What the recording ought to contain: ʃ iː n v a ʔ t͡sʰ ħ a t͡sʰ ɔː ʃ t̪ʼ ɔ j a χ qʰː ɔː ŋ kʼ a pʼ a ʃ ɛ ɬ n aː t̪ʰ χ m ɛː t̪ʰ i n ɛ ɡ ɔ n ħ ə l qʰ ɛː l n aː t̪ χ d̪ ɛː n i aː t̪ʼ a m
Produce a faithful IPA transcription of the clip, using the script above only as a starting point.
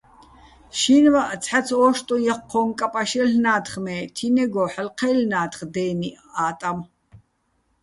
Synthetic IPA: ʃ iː n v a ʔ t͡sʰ ħ a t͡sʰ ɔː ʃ t̪ʼ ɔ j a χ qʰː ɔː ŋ kʼ a pʼ a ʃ ɛ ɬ n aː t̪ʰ χ m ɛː t̪ʰ i n ɛ ɡ ɔ ħ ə l qʰ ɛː l n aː t̪ χ d̪ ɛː n i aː t̪ʼ a m